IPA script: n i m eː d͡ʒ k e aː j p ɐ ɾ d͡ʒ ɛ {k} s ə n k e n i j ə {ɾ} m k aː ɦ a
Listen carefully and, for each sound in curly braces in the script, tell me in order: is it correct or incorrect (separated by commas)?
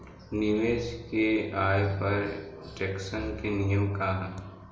correct, incorrect